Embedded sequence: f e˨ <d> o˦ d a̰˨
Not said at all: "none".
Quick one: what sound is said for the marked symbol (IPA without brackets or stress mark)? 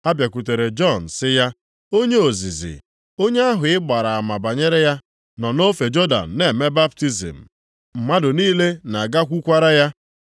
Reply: d͡ʒ